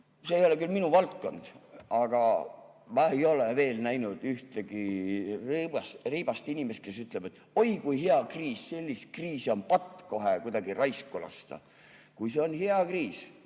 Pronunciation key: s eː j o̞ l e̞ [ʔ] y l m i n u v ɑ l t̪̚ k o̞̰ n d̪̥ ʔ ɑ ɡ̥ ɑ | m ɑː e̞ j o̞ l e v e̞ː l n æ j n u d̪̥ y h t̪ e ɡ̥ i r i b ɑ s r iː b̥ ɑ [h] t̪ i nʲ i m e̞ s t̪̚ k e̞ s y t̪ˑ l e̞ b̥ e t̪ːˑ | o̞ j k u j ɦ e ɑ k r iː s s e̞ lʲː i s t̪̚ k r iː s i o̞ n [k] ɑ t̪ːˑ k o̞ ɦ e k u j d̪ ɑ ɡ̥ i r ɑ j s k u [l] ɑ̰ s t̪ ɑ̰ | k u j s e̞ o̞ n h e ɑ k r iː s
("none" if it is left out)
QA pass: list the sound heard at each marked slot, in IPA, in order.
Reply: k, s, p, l

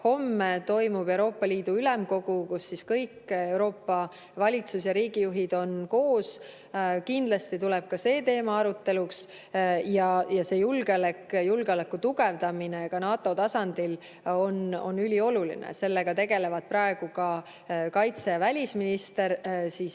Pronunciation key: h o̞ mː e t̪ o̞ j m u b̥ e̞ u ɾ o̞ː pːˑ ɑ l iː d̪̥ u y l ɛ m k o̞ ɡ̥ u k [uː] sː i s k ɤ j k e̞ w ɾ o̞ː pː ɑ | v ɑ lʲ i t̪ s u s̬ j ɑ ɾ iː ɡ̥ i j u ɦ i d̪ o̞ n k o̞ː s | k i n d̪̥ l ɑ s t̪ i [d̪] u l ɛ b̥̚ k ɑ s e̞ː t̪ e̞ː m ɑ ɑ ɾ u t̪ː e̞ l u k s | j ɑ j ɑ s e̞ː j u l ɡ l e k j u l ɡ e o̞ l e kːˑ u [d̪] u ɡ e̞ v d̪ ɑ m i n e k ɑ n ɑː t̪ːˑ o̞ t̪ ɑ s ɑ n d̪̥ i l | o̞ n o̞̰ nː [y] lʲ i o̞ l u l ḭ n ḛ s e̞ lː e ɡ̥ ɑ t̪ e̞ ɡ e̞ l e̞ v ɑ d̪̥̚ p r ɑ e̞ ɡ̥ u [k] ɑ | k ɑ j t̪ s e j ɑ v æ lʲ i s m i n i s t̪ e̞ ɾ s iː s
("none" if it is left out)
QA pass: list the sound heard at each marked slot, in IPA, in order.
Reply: u, t̪, t̪, y, k

